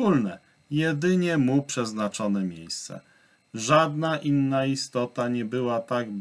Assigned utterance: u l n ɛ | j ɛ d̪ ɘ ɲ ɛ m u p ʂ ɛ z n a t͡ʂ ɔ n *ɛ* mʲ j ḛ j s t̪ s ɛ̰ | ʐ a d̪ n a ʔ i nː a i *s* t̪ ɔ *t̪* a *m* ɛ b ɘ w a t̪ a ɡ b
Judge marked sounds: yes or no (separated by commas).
yes, yes, yes, no